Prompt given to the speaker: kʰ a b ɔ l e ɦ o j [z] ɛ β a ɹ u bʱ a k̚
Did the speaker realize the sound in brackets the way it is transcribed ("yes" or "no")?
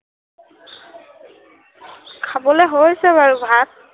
no